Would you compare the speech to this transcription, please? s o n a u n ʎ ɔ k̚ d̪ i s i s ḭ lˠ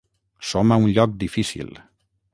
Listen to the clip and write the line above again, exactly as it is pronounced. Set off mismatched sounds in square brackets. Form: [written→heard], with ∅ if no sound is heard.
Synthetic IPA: s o [n→m] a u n ʎ ɔ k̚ d̪ i [s→f] i s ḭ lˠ